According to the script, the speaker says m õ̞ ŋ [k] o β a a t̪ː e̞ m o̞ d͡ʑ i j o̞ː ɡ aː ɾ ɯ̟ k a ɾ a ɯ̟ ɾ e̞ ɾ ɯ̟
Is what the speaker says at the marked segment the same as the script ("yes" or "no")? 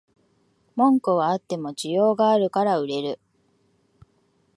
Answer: yes